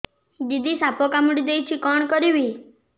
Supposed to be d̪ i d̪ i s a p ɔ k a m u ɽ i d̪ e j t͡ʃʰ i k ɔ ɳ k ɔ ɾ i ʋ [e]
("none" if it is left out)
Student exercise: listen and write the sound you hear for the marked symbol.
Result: i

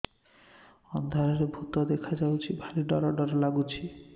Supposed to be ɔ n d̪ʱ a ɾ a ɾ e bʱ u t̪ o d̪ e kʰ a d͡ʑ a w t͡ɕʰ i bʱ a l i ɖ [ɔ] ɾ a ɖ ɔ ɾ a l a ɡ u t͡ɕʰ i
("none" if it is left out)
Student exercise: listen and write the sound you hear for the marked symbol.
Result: ɔ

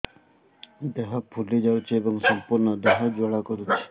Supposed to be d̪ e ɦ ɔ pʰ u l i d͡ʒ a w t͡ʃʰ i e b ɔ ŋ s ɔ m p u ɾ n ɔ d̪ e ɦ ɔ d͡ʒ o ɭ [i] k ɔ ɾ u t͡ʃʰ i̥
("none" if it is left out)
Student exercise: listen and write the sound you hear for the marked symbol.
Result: a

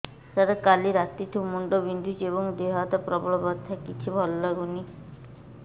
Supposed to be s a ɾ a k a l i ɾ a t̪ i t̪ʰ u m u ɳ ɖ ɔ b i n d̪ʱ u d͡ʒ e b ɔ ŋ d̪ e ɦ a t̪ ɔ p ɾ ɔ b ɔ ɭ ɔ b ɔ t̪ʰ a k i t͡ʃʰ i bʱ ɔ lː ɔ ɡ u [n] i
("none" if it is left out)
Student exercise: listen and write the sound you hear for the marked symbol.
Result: n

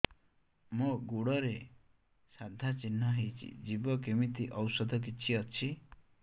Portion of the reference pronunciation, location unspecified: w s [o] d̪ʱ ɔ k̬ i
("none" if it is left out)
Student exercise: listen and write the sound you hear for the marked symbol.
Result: ɔ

